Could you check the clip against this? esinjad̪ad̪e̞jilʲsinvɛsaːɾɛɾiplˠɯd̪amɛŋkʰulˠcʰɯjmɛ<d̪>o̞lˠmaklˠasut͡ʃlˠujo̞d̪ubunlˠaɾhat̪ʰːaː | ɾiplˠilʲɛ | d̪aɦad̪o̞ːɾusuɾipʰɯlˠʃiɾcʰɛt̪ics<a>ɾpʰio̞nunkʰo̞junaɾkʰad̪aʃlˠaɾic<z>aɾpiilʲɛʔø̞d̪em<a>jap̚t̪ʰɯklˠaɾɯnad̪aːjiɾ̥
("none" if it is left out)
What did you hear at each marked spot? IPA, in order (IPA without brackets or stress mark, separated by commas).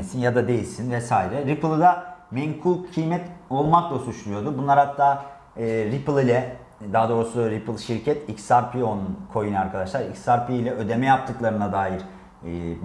t̪, a, s, ɛ